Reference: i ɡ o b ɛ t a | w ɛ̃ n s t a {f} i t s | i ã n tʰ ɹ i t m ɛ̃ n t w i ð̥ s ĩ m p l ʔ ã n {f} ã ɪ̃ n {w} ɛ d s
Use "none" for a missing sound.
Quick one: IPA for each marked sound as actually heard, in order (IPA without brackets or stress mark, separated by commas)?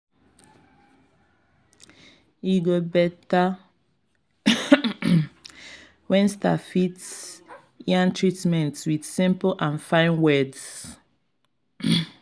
f, f, w